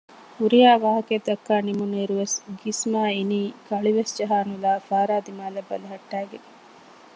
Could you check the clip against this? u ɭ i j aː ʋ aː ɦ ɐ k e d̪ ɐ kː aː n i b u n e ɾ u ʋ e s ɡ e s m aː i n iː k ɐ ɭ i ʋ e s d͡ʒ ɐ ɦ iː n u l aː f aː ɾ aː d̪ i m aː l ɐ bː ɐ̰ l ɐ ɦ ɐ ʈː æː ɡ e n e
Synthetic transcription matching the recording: u ɾ i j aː ʋ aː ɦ ɐ k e d̪ ɐ kː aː n i m u n e ɾ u ʋ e s ɡ i s m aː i n iː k ɐ ɭ i ʋ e s d͡ʒ ɐ ɦ aː n u l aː f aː ɾ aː d̪ i m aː l ɐ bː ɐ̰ l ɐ ɦ ɐ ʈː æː ɡ e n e